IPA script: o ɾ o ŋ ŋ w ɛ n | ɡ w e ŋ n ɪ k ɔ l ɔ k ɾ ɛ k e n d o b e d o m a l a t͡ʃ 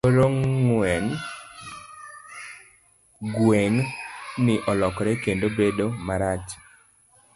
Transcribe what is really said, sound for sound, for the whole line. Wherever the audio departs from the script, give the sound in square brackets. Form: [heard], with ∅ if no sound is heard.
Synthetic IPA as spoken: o ɾ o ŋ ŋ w ɛ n | ɡ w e ŋ n ɪ [ʔ] ɔ l ɔ k ɾ ɛ k e n d o b e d o m a [ɾ] a t͡ʃ